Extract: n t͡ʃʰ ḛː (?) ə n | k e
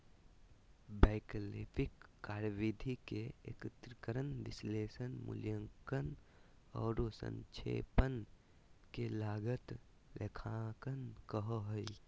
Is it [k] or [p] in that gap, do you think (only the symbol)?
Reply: p